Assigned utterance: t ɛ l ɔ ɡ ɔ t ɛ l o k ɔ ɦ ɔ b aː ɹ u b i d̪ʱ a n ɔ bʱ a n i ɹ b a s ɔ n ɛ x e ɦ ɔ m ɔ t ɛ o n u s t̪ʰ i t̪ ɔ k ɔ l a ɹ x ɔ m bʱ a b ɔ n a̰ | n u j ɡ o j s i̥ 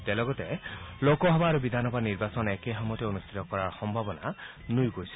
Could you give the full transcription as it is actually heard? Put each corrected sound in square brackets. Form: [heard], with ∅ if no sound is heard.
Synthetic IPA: t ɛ l ɔ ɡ ɔ t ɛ l o k ɔ ɦ ɔ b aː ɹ u b i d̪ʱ a n ɔ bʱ a n i ɹ b a s ɔ n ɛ [k] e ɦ ɔ m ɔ t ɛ o n u s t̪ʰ i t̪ ɔ k ɔ [ɹ] a ɹ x ɔ m bʱ a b ɔ n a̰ | n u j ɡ o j s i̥